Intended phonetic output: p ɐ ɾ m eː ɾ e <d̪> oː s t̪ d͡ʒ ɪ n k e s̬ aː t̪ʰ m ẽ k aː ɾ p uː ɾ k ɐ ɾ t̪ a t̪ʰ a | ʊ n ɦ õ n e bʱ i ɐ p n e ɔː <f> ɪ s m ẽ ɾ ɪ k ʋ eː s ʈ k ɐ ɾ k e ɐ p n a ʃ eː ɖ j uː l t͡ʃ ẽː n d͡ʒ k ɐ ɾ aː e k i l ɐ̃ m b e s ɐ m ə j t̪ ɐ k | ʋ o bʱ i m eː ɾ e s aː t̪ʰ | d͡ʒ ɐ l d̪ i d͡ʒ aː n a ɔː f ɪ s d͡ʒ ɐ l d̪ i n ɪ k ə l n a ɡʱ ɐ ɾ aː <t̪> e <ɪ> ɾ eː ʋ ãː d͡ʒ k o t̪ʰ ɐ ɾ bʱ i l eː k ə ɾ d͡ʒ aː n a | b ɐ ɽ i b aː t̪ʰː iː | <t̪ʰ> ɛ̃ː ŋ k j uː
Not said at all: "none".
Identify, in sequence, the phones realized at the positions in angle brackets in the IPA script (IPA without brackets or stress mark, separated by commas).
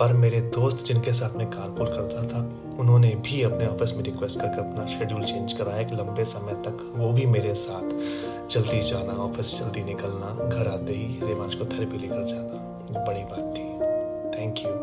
d̪, f, d̪, i, t̪ʰ